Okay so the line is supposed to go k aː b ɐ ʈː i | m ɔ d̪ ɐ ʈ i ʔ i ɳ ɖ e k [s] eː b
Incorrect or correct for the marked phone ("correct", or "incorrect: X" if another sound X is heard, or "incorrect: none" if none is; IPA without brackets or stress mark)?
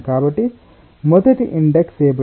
correct